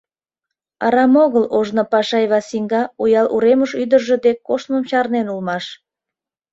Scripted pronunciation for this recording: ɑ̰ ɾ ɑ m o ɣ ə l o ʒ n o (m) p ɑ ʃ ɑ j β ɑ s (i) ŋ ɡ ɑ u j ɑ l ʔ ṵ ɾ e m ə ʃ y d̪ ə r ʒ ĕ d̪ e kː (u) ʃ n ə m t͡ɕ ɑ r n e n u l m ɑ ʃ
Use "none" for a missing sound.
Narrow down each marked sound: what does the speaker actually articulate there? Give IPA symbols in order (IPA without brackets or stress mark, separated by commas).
none, i, o